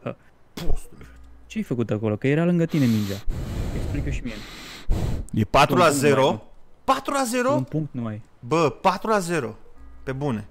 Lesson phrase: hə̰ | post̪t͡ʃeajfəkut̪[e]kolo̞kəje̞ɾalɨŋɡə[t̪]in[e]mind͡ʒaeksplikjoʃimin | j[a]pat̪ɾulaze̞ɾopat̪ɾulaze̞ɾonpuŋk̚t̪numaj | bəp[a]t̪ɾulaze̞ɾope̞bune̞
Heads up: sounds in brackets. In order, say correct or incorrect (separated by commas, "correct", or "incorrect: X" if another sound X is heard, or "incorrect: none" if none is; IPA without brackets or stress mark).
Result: incorrect: a, correct, correct, incorrect: e, correct